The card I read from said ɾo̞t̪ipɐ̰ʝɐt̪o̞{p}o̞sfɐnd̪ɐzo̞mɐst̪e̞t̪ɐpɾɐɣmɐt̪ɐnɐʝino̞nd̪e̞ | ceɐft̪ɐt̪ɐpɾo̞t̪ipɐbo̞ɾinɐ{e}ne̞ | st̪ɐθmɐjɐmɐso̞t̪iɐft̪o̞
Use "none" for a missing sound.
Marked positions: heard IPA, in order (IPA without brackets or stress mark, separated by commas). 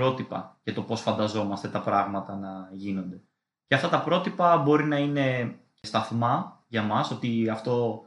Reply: p, i